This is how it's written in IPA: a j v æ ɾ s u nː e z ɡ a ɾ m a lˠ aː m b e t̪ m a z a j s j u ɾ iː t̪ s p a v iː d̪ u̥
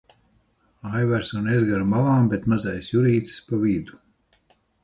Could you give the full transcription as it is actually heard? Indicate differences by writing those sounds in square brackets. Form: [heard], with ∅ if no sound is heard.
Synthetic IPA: a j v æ ɾ s u [n] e z ɡ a ɾ m a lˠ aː m b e t̪ m a z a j s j u ɾ iː t̪ s p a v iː d̪ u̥